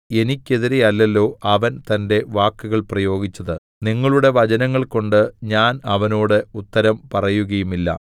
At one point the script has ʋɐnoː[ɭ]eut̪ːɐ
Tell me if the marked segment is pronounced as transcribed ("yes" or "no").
no